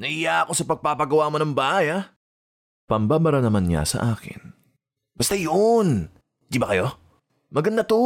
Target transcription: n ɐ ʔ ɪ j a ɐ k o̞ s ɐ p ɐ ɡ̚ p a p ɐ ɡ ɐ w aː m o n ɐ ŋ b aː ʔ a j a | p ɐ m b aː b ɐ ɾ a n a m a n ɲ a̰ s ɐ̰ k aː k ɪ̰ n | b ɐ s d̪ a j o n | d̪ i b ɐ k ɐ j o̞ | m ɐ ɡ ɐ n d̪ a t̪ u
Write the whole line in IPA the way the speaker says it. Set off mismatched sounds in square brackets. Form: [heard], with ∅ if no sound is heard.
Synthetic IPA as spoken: n ɐ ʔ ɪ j a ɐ k o̞ s ɐ p ɐ ɡ̚ p a p ɐ ɡ ɐ w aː m o n ɐ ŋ b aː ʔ a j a | p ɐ m b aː b ɐ ɾ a n [ɐ] m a n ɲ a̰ s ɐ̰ [ʔ] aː k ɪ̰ n | b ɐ s [t̪] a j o n | d̪ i b ɐ k ɐ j o̞ | m ɐ ɡ ɐ n d̪ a t̪ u